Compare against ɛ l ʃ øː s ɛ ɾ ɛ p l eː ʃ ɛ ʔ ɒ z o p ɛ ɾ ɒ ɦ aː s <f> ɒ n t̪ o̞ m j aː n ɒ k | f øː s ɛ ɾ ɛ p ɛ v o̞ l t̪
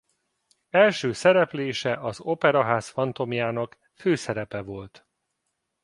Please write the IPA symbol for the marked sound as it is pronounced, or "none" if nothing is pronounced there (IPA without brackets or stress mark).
f